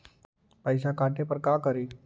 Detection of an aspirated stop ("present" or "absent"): absent